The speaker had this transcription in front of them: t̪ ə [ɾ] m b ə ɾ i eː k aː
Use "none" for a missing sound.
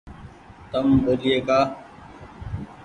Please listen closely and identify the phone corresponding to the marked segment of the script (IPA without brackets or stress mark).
none